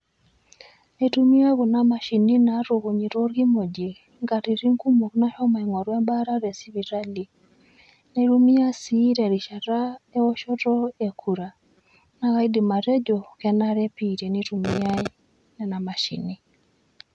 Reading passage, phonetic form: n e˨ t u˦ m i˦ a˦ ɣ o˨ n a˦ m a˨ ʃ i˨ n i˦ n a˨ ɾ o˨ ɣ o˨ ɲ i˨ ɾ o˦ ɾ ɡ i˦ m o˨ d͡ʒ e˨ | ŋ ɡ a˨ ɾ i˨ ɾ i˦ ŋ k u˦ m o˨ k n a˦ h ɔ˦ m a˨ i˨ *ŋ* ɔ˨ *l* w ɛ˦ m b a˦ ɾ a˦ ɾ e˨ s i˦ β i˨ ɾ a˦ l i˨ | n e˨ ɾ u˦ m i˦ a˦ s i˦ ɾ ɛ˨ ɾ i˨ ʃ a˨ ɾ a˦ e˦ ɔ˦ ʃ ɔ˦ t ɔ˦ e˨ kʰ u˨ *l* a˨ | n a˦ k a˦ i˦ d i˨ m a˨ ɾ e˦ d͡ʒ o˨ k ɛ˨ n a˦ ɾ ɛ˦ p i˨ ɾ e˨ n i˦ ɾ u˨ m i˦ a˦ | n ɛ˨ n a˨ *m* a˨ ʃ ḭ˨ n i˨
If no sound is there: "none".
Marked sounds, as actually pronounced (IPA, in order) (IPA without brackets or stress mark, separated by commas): ŋ, ɾ, ɾ, m